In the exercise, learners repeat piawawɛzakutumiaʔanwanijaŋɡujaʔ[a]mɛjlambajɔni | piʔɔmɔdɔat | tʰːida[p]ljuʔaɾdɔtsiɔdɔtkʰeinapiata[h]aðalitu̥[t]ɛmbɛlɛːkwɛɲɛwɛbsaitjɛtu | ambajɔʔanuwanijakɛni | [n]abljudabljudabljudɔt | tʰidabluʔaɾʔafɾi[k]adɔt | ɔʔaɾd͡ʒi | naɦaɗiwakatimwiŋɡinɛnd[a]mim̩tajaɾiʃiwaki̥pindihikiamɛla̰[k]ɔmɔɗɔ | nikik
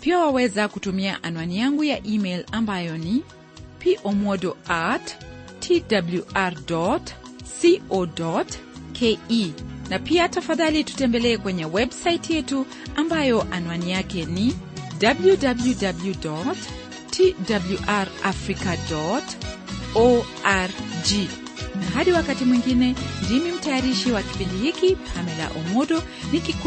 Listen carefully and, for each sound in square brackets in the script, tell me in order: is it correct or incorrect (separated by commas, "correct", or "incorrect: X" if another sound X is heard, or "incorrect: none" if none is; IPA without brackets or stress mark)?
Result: incorrect: i, incorrect: b, incorrect: f, correct, incorrect: d, correct, incorrect: i, incorrect: ʔ